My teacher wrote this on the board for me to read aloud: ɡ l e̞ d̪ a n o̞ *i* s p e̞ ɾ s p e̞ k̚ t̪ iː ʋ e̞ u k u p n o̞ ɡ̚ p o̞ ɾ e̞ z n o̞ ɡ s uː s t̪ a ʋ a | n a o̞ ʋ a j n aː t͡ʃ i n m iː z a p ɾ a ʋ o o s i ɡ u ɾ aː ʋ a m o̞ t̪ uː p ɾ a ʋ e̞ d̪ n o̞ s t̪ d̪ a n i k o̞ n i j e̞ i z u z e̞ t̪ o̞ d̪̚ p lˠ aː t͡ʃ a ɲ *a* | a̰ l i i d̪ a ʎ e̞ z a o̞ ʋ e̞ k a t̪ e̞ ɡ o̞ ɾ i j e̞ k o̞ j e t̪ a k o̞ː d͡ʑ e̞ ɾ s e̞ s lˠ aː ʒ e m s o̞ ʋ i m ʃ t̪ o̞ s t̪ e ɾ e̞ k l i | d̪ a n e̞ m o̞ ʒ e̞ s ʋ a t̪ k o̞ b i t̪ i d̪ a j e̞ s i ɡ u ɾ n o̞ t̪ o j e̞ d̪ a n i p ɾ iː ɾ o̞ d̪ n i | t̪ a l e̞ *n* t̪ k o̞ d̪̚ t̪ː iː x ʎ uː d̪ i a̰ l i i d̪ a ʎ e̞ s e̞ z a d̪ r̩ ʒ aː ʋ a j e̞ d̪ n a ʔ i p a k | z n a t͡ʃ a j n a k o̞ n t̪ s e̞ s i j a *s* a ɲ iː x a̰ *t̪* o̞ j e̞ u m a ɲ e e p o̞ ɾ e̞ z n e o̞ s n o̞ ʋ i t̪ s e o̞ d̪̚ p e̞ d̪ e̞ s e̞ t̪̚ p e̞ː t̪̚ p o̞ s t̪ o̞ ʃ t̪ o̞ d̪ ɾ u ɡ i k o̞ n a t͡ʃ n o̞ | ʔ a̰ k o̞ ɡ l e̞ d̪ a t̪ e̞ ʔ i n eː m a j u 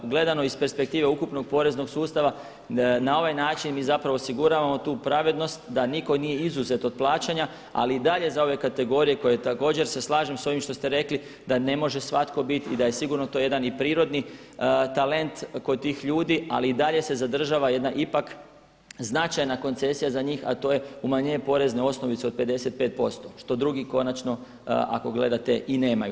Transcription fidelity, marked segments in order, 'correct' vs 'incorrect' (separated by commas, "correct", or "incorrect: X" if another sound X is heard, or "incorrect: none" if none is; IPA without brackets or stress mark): correct, correct, correct, incorrect: z, correct